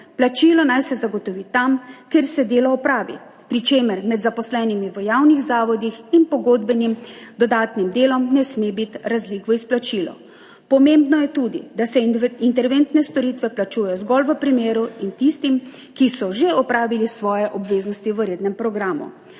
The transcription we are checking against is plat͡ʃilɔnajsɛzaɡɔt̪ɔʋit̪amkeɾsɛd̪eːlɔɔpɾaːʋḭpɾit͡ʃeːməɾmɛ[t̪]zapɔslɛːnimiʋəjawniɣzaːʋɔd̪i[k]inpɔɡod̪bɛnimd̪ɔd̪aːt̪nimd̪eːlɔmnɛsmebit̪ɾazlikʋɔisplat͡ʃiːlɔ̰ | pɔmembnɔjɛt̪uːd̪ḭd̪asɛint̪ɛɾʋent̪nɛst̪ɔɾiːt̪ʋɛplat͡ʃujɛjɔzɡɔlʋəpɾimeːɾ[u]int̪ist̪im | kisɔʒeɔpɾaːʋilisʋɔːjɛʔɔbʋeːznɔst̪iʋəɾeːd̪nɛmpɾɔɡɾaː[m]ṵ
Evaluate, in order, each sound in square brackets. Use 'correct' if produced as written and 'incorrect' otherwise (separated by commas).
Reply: incorrect, incorrect, correct, correct